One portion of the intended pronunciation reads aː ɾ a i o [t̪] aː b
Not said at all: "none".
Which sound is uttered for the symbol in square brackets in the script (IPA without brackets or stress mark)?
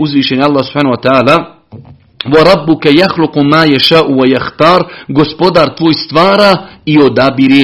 d̪